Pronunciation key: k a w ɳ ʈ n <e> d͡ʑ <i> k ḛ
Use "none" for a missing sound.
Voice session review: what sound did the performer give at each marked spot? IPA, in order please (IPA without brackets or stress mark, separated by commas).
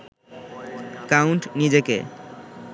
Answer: i, e